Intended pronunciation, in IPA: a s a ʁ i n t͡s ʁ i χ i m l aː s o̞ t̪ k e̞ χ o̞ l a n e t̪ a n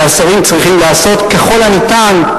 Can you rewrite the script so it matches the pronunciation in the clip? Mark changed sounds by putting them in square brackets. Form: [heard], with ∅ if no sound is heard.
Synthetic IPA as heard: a s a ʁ i [m] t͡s ʁ i χ i m l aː s o̞ t̪ k e̞ χ o̞ l a n [i] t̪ a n